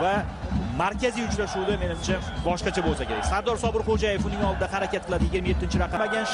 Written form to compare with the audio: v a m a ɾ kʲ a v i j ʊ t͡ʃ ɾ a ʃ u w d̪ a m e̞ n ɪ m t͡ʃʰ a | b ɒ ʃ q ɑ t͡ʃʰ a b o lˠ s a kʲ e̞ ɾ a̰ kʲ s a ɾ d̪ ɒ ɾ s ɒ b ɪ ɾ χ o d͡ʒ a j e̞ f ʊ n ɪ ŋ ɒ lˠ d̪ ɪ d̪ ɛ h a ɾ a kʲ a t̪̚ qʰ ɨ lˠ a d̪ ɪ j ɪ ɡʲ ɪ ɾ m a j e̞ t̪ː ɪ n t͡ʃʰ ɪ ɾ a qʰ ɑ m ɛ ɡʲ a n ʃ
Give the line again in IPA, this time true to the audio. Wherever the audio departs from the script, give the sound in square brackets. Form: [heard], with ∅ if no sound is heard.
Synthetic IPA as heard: v a m a ɾ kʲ a [z] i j ʊ t͡ʃ ɾ a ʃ u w d̪ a m e̞ n ɪ m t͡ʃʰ a | b ɒ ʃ q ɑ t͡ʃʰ a b o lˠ s a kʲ e̞ ɾ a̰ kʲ s a ɾ d̪ ɒ ɾ s ɒ b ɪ ɾ χ o d͡ʒ a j e̞ f ʊ n ɪ ŋ ɒ lˠ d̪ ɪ d̪ [a] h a ɾ a kʲ a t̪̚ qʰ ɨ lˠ a d̪ ɪ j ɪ ɡʲ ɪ ɾ m a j e̞ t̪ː ɪ n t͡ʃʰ ɪ ɾ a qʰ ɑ m [a] ɡʲ a n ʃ